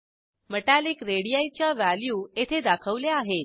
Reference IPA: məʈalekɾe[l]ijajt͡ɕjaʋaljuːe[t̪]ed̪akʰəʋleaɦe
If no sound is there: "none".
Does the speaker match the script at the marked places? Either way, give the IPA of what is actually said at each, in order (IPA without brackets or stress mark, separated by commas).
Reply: ɽ, t̪ʰ